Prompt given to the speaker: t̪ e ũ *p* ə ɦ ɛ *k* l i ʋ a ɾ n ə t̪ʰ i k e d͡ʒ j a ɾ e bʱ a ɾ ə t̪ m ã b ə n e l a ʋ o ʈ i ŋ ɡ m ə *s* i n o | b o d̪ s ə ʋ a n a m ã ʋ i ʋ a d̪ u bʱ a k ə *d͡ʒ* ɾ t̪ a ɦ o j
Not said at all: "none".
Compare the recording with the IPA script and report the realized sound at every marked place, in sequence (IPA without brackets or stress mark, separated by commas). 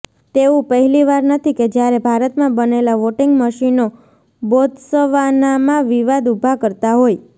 p, none, ʃ, none